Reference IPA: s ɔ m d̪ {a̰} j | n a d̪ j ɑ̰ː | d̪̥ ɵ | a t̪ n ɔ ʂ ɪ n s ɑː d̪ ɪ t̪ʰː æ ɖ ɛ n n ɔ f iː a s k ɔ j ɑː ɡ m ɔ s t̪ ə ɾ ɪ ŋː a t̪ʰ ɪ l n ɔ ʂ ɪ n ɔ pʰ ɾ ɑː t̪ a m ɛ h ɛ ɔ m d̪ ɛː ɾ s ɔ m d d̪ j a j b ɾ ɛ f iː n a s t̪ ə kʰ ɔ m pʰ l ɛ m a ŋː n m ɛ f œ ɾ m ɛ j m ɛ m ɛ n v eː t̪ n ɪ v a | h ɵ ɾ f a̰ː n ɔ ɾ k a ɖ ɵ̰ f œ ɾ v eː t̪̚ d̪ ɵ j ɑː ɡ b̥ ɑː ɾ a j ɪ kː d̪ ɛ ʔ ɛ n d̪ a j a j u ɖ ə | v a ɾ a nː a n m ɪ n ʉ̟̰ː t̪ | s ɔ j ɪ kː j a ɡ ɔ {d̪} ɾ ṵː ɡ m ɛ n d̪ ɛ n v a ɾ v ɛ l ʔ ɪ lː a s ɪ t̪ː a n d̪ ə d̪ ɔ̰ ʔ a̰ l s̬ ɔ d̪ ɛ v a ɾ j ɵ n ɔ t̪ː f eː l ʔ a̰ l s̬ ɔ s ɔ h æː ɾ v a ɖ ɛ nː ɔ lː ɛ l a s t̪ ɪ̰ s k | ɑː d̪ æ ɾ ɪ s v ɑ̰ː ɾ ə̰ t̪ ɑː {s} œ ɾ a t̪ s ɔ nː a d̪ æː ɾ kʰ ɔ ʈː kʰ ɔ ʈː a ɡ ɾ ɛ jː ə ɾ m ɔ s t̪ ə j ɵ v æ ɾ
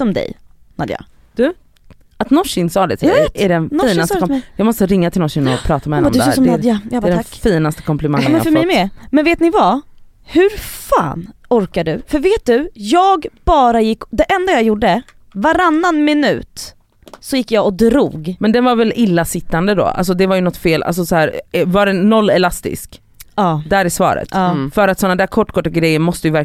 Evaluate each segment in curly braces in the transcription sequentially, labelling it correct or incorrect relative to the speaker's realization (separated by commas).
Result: incorrect, correct, incorrect